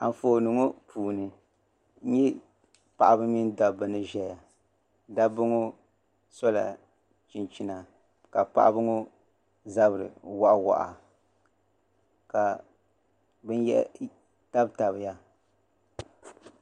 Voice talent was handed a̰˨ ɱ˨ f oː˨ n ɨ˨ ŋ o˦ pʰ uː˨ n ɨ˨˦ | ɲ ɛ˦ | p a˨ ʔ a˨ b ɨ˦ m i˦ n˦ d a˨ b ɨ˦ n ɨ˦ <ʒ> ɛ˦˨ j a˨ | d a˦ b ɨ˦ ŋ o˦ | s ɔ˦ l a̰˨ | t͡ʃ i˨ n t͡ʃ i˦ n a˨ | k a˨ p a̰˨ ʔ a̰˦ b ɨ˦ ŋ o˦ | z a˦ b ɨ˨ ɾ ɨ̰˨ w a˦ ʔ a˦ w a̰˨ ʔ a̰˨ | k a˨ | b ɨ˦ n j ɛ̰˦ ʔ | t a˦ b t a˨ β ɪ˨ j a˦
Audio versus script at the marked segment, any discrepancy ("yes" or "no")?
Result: no